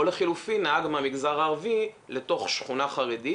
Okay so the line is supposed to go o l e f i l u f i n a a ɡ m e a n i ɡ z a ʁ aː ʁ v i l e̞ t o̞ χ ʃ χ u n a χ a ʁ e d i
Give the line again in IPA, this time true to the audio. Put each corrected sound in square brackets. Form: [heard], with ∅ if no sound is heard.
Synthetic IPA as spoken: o l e [χ] i l u f i n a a ɡ m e a [m] i ɡ z a ʁ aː ʁ v i l e̞ t o̞ χ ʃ χ u n a χ a ʁ e d i

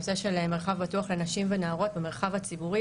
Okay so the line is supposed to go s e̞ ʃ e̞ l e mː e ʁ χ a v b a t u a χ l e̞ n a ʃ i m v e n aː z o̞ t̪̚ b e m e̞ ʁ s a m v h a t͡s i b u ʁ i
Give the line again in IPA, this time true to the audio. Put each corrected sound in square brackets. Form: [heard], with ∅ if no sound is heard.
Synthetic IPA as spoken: s e̞ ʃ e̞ l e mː e ʁ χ a v b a t u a χ l e̞ n a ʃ i m v e n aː [ʁ] o̞ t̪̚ b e m e̞ ʁ [χ] a [∅] v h a t͡s i b u ʁ i

